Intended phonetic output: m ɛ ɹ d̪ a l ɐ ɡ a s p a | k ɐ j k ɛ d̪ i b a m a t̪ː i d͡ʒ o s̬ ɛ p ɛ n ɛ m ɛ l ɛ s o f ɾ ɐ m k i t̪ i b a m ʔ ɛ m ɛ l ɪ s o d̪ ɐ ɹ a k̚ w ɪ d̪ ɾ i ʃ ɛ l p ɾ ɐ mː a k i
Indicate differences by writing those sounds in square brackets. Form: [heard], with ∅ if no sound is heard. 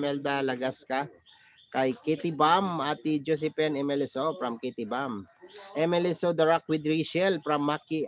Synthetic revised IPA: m ɛ [l] d̪ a l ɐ ɡ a s [k] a | k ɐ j k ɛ [t̪] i b a m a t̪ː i d͡ʒ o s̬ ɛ p ɛ n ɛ m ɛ l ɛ s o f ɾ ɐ m k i t̪ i b a m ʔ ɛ m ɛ l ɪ s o d̪ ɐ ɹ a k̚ w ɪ d̪ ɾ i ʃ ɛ l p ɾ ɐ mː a k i